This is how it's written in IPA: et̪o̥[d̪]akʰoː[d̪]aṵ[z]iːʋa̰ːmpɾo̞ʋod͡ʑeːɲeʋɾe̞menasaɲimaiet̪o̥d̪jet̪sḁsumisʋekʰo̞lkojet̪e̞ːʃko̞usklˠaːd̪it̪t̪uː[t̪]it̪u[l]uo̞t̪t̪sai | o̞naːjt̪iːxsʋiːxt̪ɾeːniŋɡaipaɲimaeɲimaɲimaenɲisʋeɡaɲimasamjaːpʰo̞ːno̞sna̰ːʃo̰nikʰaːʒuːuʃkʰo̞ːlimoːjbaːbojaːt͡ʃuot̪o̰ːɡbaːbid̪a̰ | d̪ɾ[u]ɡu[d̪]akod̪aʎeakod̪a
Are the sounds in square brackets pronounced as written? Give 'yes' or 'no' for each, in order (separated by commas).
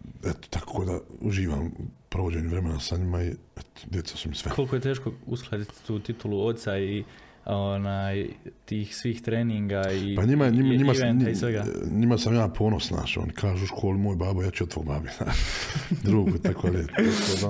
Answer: no, yes, no, yes, yes, no, no